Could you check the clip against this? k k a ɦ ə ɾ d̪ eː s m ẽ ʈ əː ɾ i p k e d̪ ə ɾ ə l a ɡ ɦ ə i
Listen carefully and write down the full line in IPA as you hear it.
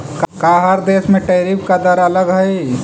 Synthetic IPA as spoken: k k a ɦ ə ɾ d̪ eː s m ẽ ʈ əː ɾ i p k a d̪ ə ɾ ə l ə ɡ ɦ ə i